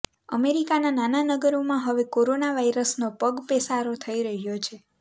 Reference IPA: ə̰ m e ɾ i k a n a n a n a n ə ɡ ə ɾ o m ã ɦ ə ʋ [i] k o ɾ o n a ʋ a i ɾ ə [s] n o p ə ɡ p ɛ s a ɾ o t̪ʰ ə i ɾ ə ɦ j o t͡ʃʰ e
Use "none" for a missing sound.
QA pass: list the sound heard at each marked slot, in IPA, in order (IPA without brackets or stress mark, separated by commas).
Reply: e, s